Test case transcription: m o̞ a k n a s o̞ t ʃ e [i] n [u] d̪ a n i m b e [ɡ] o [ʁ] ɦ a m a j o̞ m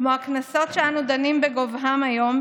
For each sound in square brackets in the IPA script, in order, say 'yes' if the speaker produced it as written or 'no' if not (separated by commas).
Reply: no, yes, yes, no